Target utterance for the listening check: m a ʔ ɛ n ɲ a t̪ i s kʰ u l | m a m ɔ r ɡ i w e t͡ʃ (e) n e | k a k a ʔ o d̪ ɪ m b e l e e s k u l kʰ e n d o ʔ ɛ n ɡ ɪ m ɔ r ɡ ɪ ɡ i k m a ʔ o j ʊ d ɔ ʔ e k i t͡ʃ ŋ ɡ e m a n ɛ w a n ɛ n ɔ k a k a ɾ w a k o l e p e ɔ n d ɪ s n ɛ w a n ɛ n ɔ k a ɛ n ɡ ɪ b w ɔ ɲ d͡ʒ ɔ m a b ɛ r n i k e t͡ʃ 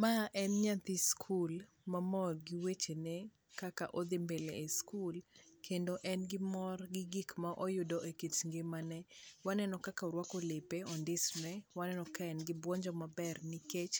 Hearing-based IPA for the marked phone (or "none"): e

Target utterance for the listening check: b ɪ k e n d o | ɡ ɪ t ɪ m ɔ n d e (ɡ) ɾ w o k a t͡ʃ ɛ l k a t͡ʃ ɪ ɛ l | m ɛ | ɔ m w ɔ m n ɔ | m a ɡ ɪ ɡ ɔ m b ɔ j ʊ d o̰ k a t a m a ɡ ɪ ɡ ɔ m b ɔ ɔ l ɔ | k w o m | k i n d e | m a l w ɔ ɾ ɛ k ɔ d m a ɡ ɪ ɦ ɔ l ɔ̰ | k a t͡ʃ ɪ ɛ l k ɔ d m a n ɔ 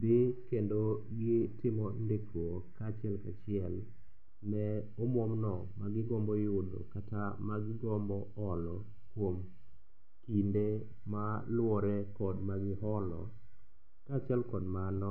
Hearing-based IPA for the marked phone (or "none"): k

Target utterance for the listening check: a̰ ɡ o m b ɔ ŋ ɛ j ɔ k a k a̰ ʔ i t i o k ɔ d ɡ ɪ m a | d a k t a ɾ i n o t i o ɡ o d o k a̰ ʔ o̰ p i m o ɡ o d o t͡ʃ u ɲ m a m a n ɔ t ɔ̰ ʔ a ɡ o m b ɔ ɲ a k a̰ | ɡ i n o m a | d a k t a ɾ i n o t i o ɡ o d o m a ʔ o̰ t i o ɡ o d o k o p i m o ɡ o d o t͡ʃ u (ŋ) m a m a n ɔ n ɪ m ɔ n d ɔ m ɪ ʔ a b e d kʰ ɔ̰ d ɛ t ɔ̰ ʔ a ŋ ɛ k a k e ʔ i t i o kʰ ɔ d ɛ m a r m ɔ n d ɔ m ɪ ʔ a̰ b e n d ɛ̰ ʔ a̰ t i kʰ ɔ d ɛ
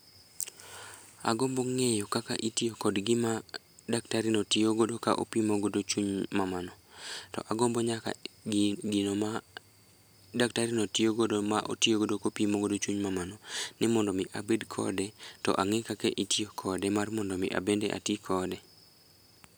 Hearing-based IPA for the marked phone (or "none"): ɲ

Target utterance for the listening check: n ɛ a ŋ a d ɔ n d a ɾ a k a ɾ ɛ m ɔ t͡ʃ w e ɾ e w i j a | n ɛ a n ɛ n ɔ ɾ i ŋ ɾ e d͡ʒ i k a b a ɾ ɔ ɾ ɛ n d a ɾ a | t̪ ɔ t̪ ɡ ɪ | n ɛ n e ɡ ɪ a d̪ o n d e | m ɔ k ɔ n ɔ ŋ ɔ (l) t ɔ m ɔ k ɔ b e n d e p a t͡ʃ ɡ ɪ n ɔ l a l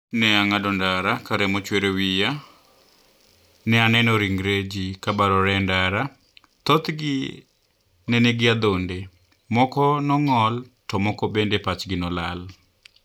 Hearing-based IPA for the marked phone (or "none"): l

